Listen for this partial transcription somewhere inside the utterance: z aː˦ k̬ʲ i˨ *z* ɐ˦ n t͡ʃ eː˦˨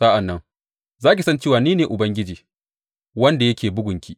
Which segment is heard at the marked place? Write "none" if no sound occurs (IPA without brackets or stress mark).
s